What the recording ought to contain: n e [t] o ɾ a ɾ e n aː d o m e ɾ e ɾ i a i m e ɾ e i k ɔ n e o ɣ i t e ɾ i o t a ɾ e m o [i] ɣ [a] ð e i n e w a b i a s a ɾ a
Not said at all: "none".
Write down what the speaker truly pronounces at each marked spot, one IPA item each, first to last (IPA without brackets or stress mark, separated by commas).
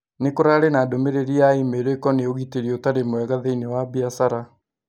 k, ɛ, a